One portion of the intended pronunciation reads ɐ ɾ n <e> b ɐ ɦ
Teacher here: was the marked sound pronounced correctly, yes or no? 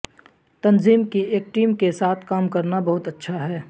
no